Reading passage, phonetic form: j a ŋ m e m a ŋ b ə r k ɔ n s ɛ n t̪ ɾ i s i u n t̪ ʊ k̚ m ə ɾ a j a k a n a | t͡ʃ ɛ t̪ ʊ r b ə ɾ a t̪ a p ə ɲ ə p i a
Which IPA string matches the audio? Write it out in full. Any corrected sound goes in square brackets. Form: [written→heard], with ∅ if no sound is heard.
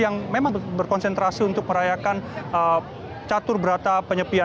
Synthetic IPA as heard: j a ŋ m e m a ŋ b ə r k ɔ n s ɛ n t̪ ɾ [i→a] s i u n t̪ ʊ k̚ m ə ɾ a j a k a n [a→ə] | t͡ʃ [ɛ→a] t̪ ʊ r b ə ɾ a t̪ a p ə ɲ ə p i a